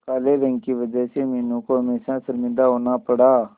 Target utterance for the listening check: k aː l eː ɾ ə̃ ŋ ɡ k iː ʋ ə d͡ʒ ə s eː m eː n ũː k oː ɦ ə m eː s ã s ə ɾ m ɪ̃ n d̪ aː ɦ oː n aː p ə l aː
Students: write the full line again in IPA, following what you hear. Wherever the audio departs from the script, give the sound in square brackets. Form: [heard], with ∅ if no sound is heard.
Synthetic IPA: k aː l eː ɾ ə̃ ŋ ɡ k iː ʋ ə d͡ʒ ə s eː m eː n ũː k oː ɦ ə m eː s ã s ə ɾ m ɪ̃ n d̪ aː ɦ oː n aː p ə [ɽ] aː